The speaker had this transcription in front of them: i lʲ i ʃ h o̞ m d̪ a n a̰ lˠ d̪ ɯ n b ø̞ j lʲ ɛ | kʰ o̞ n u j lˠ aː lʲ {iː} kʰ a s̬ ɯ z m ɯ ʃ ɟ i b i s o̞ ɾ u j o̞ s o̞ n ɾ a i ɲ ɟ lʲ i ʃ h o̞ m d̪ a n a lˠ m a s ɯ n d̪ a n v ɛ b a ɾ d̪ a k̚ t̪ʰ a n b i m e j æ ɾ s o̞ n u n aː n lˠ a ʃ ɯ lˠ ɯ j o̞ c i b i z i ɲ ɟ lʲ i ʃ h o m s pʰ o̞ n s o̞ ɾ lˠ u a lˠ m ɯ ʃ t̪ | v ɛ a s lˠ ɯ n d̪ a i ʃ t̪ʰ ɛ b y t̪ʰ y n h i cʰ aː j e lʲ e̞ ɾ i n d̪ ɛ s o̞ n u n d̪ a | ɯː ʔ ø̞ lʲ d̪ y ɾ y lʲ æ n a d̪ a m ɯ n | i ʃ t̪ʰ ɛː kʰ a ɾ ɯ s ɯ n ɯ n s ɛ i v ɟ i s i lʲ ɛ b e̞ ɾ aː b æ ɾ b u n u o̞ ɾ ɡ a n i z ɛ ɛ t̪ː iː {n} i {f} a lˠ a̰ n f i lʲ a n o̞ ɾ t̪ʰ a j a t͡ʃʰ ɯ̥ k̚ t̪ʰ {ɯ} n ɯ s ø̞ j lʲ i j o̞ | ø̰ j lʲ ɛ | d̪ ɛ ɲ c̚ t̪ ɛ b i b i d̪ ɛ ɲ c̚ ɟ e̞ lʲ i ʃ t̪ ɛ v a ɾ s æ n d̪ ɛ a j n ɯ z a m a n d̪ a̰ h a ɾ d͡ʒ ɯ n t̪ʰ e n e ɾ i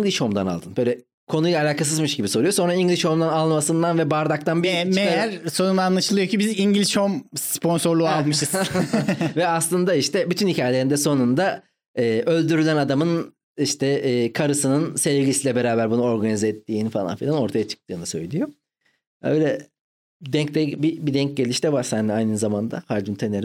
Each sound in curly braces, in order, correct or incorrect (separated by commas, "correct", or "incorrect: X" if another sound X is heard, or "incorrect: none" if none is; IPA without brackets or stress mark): incorrect: aː, correct, correct, incorrect: ɯː